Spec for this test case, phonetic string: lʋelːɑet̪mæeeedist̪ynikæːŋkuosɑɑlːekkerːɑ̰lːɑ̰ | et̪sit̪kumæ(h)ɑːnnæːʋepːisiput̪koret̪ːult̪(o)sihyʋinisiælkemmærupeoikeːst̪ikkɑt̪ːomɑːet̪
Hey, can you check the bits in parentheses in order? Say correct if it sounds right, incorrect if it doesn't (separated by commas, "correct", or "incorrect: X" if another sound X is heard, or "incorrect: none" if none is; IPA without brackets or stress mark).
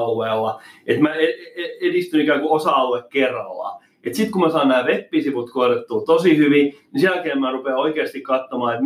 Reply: incorrect: s, correct